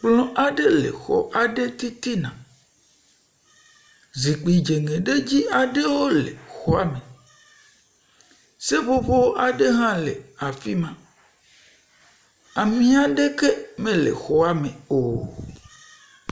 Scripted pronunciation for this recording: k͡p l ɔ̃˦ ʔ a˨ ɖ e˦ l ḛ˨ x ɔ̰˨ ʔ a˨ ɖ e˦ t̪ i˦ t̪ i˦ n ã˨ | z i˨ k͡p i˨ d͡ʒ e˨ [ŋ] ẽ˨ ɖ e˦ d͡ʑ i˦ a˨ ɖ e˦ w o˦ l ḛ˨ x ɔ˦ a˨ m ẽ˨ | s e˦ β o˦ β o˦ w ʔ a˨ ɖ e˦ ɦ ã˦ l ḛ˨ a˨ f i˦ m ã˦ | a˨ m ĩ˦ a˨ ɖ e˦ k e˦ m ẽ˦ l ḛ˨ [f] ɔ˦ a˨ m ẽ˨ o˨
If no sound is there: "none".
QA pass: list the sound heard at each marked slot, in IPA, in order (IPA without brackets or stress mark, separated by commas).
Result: ŋ, x